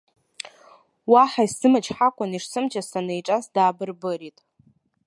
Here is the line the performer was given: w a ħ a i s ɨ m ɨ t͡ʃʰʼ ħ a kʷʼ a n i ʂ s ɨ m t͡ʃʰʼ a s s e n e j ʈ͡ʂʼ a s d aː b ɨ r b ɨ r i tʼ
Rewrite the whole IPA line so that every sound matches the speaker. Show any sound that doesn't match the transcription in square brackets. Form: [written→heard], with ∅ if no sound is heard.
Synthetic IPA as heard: w a ħ a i s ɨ m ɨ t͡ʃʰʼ ħ a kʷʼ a n i ʂ s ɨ m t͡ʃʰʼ a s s [e→a] n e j ʈ͡ʂʼ a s d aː b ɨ r b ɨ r i tʼ